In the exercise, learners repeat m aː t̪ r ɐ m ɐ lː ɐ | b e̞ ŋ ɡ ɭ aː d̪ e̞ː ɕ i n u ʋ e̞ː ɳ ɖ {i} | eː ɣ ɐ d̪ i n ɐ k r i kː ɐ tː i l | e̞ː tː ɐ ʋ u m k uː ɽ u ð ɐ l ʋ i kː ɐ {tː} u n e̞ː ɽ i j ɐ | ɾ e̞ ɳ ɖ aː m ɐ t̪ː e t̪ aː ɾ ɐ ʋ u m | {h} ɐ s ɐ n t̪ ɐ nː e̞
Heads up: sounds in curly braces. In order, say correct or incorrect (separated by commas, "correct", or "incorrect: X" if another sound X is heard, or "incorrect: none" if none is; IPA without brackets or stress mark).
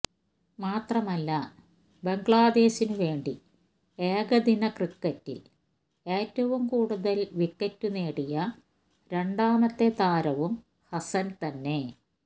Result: correct, correct, correct